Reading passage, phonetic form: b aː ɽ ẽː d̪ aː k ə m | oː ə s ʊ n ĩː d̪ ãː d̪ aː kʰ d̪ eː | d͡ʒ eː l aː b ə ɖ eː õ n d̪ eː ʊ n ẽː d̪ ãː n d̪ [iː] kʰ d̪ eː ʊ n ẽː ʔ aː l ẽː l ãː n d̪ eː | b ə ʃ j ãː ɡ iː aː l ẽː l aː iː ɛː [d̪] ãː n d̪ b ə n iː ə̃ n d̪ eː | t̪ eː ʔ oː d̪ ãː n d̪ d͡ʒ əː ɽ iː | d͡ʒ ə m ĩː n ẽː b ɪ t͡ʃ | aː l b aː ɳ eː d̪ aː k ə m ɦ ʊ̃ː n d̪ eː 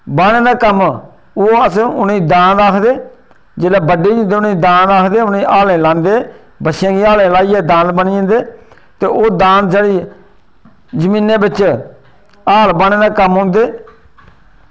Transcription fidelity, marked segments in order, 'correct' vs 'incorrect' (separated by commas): incorrect, correct